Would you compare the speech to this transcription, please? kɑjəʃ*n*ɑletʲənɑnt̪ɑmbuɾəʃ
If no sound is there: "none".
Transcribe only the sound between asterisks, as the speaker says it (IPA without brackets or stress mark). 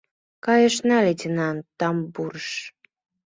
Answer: n